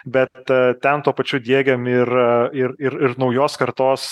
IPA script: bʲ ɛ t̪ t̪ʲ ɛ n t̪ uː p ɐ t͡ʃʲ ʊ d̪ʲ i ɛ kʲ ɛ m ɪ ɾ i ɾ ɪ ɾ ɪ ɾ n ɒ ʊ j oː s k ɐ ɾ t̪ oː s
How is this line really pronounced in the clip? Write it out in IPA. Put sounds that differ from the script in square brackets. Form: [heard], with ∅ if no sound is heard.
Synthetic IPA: bʲ ɛ t̪ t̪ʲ ɛ n t̪ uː p ɐ t͡ʃʲ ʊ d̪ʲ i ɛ [ɡʲ] ɛ m ɪ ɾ [ɪ] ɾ ɪ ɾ ɪ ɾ n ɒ ʊ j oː s k ɐ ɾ t̪ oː s